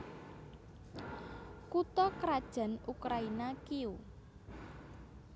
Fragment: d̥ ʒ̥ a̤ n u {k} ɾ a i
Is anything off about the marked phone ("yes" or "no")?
no